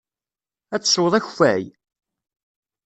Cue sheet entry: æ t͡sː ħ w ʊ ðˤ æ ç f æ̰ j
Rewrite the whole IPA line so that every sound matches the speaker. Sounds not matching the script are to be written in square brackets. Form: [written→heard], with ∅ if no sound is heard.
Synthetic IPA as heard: æ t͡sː [ħ→s] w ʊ ðˤ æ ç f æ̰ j